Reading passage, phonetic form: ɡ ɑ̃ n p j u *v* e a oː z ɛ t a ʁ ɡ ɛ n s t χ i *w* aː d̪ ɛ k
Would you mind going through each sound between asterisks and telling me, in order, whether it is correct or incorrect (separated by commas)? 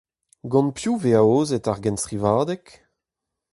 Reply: correct, incorrect